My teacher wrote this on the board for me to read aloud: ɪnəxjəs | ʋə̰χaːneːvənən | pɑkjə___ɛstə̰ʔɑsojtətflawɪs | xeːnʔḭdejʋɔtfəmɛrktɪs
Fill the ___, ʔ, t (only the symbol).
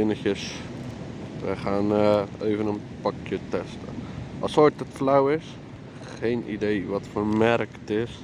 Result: t